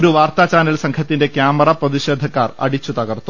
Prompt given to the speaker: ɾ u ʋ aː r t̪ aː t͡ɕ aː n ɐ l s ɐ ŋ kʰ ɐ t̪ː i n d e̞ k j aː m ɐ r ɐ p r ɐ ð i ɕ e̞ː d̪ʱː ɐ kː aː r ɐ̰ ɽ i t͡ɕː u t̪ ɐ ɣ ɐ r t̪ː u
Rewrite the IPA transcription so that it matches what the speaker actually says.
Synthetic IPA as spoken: ɾ u ʋ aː r t̪ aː t͡ɕ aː n ɐ l s ɐ ŋ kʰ ɐ t̪ː i n d e̞ k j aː m ɐ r ɐ p r ɐ ð i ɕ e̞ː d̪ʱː ɐ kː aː r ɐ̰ ɽ i t͡ɕː u t̪ ɐ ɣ ɐ r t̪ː u